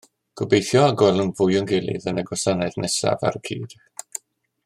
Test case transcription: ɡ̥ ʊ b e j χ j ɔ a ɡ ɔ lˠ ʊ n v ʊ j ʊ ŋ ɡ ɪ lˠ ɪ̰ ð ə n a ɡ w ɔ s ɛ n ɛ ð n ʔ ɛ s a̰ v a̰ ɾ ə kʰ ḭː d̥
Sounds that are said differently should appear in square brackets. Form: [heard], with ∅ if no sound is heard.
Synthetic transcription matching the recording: ɡ̥ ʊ b e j [θ] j ɔ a ɡ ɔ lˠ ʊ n v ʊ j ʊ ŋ ɡ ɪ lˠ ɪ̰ ð ə n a ɡ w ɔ s [a] n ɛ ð n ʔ ɛ s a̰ v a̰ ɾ ə kʰ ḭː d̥